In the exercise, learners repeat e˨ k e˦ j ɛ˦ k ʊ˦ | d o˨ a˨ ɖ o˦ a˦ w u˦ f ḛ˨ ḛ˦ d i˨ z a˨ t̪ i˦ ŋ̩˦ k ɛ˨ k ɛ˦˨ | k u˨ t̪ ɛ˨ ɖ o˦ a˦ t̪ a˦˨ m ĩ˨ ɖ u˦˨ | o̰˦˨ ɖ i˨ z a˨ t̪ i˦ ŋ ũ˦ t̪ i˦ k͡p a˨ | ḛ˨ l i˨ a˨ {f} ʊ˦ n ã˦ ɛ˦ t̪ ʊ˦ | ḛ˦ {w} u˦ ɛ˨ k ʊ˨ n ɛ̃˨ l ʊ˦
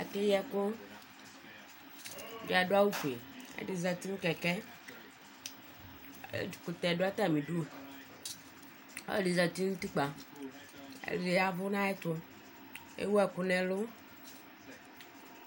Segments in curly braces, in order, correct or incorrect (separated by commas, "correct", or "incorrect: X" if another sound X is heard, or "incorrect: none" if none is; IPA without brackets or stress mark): incorrect: v, correct